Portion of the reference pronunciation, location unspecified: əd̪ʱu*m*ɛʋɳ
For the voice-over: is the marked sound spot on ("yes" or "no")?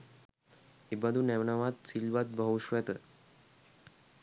no